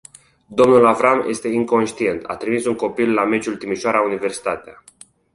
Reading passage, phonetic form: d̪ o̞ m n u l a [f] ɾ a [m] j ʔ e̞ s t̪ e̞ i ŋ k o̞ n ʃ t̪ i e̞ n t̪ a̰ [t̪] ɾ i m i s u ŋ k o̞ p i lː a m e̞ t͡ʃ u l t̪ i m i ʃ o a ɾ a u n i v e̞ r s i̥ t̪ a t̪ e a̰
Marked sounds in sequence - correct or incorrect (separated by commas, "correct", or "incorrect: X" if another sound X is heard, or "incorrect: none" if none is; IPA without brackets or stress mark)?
incorrect: v, correct, correct